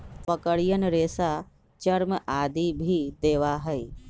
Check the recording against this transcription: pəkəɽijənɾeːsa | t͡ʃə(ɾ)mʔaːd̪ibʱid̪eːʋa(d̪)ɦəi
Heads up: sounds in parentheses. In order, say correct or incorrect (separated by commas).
correct, incorrect